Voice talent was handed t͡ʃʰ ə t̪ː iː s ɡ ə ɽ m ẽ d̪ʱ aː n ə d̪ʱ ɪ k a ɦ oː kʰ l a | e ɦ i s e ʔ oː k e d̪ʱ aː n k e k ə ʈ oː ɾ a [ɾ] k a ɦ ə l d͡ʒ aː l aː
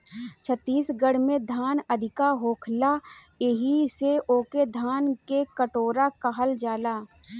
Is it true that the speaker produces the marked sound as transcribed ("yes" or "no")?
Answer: no